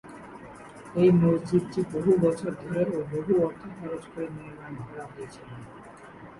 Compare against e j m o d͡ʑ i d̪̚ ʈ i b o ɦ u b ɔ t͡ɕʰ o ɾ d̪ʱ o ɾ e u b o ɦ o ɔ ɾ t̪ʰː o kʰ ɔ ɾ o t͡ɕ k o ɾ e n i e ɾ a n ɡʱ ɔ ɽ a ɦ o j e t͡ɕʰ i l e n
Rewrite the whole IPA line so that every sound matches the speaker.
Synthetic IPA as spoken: e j m o d͡ʑ i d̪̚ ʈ i b o ɦ u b ɔ t͡ɕʰ o ɾ d̪ʱ o ɾ e o b o ɦ u ɔ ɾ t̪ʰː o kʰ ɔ ɾ o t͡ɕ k o ɾ e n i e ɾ a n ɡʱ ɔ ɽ a ɦ o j e t͡ɕʰ i l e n

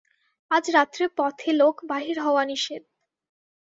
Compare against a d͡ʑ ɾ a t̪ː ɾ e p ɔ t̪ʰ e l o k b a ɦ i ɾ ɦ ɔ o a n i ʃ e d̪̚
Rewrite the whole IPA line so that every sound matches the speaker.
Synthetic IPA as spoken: a d͡ʑ ɾ a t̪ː ɾ e p ɔ t̪ʰ e l o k b a ɦ i ɾ ɦ ɔ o a n i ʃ e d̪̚

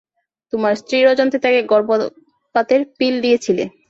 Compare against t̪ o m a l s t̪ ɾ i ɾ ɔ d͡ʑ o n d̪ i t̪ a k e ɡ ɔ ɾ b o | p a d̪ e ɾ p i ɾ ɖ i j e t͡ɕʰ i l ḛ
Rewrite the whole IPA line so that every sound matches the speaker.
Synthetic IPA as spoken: t̪ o m a ɾ s t̪ ɾ i ɾ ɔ d͡ʑ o n t̪ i t̪ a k e ɡ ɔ ɾ b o | p a t̪ e ɾ p i l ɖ i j e t͡ɕʰ i l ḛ

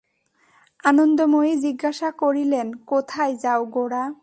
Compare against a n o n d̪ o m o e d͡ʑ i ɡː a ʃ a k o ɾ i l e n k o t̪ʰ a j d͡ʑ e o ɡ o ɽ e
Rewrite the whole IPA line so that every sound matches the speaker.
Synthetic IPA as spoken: a n o n d̪ o m o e d͡ʑ i ɡː a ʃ a k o ɾ i l e n k o t̪ʰ a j d͡ʑ a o ɡ o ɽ a

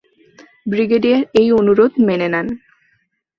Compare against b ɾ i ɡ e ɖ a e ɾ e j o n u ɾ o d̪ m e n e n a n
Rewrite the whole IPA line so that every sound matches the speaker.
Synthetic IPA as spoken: b ɾ i ɡ e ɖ i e ɾ e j o n u ɾ o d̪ m e n e n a n

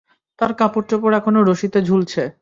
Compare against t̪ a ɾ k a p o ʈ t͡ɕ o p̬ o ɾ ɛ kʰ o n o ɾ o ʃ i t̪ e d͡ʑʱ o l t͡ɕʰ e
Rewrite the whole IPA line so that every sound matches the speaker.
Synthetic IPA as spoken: t̪ a ɾ k a p o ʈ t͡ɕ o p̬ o ɾ ɛ kʰ o n o ɾ o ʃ i t̪ e d͡ʑʱ u l t͡ɕʰ e

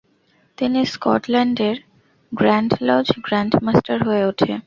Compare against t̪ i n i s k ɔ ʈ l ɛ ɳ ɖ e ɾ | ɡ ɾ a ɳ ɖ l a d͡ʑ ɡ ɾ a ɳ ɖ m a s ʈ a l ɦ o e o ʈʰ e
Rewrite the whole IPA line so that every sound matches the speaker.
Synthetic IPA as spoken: t̪ i n i s k ɔ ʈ l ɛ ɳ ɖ e ɾ | ɡ ɾ a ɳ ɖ l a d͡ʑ ɡ ɾ a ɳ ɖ m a s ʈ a ɾ ɦ o e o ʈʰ e

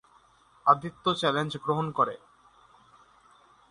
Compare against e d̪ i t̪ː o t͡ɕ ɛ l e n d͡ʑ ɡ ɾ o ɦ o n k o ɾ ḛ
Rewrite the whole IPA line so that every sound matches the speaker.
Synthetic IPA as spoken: a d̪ i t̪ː o t͡ɕ ɛ l e n d͡ʑ ɡ ɾ o ɦ o n k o ɾ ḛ

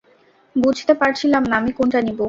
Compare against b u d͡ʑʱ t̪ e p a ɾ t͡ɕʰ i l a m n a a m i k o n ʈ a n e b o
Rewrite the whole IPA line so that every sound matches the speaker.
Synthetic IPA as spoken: b u d͡ʑʱ t̪ e p a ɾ t͡ɕʰ i l a m n a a m i k o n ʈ a n i b o

